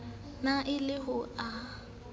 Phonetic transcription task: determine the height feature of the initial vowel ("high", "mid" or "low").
low